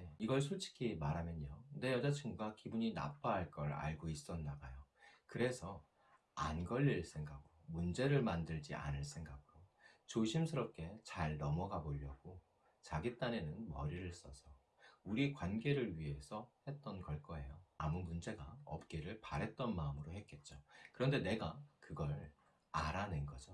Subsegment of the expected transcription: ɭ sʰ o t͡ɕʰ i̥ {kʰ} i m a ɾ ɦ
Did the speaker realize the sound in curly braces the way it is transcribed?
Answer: yes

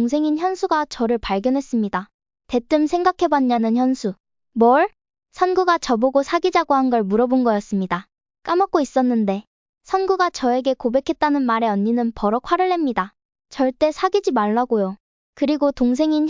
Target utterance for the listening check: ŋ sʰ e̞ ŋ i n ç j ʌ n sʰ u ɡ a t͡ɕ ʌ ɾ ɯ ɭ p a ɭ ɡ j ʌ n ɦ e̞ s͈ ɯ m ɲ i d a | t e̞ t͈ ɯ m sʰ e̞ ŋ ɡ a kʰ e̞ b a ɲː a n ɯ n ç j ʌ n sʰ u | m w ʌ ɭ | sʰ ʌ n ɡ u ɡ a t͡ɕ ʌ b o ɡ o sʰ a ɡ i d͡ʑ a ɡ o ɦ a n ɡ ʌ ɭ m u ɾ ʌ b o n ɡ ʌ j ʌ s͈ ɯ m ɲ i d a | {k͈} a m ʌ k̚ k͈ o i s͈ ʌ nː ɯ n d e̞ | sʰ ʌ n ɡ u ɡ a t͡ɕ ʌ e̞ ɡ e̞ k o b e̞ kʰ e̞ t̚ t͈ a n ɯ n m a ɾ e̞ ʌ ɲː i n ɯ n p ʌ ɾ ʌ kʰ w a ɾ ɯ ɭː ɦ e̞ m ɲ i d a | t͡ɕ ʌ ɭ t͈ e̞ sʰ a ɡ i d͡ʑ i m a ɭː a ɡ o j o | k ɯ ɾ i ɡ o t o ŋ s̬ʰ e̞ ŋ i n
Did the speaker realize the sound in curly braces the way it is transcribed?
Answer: yes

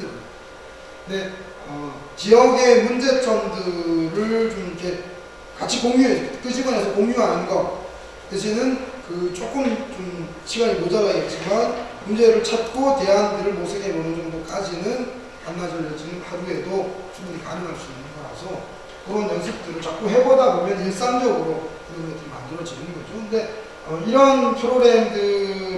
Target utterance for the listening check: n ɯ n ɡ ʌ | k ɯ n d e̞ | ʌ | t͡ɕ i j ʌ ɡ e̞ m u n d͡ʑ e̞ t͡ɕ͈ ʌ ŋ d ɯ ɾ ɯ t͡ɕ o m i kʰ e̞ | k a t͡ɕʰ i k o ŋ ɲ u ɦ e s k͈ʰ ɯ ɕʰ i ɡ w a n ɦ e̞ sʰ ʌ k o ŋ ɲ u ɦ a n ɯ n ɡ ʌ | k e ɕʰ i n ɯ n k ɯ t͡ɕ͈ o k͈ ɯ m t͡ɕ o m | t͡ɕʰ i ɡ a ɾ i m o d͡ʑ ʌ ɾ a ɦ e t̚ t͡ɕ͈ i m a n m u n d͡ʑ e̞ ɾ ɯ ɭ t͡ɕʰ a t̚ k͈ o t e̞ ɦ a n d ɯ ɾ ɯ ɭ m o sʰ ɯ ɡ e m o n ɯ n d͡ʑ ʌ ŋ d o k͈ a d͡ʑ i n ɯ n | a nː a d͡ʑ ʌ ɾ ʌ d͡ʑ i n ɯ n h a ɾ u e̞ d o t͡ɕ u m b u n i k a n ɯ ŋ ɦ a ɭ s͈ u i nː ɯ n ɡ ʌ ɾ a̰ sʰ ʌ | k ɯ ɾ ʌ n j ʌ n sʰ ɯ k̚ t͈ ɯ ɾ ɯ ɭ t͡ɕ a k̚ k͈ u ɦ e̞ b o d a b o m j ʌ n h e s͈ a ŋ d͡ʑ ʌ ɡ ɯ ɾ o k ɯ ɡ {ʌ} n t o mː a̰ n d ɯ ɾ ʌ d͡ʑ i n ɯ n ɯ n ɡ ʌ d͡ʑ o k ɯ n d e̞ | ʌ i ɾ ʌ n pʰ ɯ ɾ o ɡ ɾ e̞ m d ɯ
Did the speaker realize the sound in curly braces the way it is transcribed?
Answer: yes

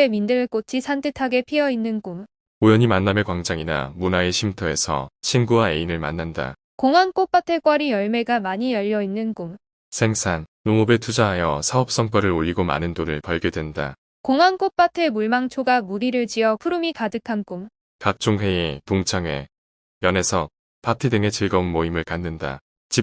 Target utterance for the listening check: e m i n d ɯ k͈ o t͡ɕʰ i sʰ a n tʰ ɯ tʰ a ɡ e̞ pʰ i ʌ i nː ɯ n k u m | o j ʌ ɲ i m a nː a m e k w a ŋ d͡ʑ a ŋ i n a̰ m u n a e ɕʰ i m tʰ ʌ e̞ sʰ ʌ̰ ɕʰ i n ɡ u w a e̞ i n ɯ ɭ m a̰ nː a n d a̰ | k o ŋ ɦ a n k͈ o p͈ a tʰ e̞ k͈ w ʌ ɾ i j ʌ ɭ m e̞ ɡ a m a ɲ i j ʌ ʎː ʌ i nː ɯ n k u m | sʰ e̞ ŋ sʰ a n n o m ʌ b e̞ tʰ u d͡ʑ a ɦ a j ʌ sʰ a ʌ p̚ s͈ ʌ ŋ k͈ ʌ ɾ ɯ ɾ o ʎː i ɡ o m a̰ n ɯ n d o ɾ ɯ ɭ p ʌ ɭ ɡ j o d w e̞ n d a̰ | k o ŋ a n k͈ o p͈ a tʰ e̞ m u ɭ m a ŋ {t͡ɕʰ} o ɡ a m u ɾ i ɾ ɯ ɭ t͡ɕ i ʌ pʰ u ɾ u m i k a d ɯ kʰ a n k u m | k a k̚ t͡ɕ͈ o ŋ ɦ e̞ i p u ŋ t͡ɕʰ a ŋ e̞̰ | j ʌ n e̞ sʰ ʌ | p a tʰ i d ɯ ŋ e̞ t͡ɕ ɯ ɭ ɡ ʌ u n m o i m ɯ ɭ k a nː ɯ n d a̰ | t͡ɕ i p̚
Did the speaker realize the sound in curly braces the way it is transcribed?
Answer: yes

